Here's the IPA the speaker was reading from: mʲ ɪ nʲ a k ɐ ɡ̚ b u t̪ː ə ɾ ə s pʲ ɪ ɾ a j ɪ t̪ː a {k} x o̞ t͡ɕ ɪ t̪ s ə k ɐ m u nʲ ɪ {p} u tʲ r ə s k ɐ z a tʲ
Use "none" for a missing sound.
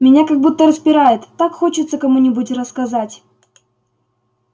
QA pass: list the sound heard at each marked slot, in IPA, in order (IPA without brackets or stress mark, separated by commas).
k, b